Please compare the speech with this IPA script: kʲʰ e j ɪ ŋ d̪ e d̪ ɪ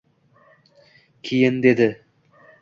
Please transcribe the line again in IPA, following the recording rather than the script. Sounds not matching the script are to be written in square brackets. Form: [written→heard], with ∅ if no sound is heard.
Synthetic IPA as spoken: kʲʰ [e→i] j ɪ [ŋ→n] d̪ e d̪ ɪ